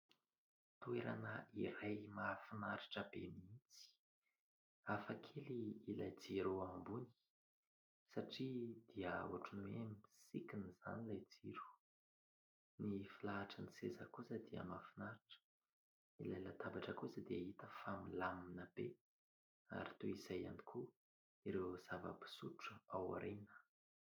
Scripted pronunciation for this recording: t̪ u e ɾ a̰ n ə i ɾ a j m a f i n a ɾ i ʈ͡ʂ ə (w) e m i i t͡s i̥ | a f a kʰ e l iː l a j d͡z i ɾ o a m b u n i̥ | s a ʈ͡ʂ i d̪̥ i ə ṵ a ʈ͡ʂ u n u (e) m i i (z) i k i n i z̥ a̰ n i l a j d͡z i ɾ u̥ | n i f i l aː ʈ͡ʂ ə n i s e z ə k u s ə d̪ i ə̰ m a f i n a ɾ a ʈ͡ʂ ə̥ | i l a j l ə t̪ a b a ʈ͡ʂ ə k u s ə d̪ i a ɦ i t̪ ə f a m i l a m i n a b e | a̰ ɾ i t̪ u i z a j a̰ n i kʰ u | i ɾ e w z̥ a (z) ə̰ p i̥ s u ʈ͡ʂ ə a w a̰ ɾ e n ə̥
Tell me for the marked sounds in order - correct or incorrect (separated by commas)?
incorrect, correct, incorrect, incorrect